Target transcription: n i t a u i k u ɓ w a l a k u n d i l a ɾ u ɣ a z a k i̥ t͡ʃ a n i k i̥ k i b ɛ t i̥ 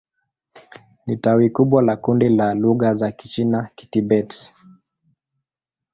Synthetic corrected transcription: n i t a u i k u ɓ w a l a k u n d i l a l u ɣ a z a k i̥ t͡ʃ i n a k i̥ t i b ɛ t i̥